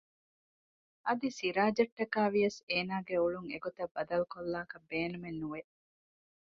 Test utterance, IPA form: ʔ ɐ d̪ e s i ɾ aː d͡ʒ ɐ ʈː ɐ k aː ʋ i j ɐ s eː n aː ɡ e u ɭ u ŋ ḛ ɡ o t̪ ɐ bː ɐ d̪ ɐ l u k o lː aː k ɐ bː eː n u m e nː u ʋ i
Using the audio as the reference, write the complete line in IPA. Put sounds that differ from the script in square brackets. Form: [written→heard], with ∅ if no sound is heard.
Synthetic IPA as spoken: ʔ ɐ d̪ [e→i] s i ɾ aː d͡ʒ ɐ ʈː ɐ k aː ʋ i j ɐ s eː n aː ɡ e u ɭ u ŋ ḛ ɡ o t̪ ɐ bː ɐ d̪ ɐ l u k o lː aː k ɐ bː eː n u m e nː u ʋ [i→e]